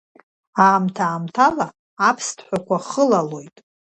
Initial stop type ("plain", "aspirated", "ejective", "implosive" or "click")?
aspirated